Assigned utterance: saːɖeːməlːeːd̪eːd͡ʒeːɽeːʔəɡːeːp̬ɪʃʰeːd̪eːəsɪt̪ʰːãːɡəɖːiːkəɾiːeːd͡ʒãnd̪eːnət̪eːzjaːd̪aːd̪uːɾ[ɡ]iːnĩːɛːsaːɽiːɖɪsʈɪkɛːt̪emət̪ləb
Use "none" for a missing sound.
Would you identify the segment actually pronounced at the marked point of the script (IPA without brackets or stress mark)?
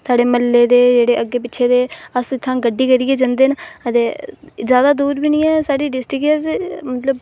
b